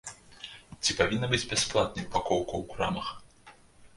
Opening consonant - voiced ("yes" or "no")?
no